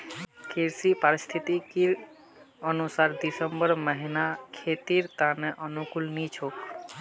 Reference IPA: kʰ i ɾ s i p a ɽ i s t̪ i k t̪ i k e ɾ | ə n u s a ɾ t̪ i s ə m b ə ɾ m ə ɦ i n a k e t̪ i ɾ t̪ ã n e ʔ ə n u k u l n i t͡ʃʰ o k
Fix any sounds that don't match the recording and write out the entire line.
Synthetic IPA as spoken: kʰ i ɾ s i p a ɾ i s t̪ʰ i t̪ i k i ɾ | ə n u s a ɾ d̪ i s ə m b ə ɾ m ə ɦ i n a kʰ e t̪ i ɾ t̪ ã n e ʔ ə n u k u l n i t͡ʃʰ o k